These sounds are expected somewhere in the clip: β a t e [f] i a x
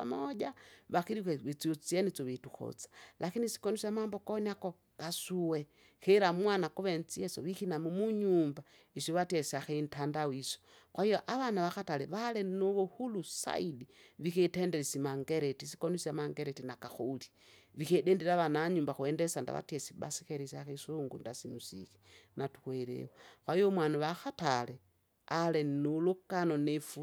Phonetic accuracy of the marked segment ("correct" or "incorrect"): incorrect